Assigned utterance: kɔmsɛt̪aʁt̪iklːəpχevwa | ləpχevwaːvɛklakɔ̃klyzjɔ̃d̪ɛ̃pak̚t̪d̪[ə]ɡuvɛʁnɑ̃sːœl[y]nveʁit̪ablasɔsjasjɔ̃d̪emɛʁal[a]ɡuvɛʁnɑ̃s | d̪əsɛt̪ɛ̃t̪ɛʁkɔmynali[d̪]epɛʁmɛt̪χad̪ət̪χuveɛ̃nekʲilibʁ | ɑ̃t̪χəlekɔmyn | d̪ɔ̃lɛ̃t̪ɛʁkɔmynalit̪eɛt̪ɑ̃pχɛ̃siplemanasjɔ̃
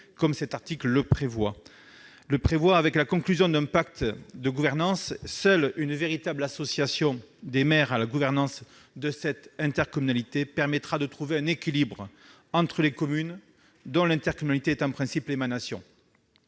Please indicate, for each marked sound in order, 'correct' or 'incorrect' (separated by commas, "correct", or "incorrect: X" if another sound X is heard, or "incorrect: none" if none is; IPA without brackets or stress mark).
correct, correct, correct, incorrect: t̪